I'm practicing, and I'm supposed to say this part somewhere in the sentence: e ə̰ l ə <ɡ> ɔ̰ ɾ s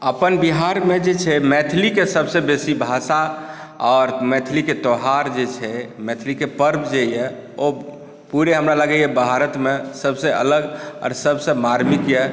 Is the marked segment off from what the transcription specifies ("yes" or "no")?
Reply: no